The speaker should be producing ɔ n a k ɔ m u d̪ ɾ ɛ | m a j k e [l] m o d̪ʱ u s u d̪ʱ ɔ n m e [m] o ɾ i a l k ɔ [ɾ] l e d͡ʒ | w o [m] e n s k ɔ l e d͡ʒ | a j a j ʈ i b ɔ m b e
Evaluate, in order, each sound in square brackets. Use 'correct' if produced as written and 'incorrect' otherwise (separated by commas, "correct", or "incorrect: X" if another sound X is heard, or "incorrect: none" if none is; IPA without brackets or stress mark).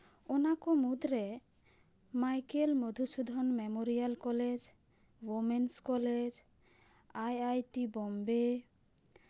correct, correct, incorrect: none, correct